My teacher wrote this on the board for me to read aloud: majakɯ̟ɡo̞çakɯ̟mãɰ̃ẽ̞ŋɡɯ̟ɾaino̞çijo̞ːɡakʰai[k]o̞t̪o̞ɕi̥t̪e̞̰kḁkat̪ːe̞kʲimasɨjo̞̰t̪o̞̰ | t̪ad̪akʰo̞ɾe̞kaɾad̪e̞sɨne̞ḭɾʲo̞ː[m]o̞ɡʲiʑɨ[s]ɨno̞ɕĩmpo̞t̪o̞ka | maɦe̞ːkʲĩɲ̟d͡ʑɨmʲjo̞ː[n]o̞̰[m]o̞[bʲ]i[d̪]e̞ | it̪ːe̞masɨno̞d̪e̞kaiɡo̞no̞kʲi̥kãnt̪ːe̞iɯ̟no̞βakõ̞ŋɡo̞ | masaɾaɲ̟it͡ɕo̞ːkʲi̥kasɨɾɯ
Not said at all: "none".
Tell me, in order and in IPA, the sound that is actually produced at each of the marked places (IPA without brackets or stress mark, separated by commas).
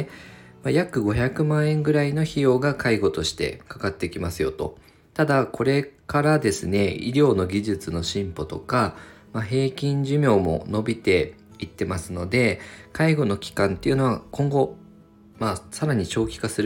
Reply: ɡ, n, t͡s, m, n, bʲ, t̪